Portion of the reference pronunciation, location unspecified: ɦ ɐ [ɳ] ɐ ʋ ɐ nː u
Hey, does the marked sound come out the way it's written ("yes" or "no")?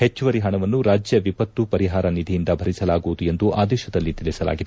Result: yes